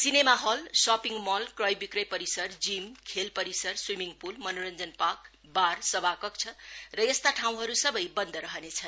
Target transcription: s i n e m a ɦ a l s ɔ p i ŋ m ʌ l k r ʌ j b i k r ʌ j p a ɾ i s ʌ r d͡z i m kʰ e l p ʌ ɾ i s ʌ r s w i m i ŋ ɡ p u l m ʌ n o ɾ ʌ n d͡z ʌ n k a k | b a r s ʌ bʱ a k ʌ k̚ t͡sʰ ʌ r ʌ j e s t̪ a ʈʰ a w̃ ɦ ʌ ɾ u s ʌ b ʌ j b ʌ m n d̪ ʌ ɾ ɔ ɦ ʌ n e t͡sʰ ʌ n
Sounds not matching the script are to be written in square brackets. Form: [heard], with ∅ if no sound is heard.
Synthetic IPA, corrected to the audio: s i n e m a ɦ [ʌ] l s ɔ p i ŋ m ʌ l k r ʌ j b i k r ʌ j p [ʌ] ɾ i s ʌ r d͡z i m kʰ e l p ʌ ɾ i s ʌ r s w i m i ŋ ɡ p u l m ʌ n o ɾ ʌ n d͡z ʌ n [p] a k | b a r s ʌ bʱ a k ʌ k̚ t͡sʰ ʌ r ʌ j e s t̪ a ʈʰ a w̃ ɦ ʌ ɾ u s ʌ b ʌ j b ʌ [∅] n d̪ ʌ ɾ [ʌ] ɦ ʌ n e t͡sʰ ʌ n